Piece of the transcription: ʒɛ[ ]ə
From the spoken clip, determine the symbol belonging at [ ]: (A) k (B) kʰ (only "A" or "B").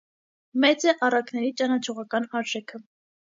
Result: B